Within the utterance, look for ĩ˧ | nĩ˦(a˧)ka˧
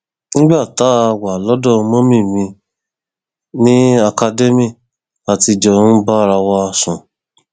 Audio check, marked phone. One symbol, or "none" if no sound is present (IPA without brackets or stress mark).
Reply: a˧